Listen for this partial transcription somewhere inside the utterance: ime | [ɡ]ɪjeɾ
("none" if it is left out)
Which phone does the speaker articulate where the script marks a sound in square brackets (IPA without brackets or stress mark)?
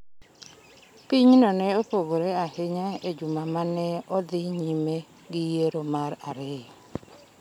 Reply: ɡ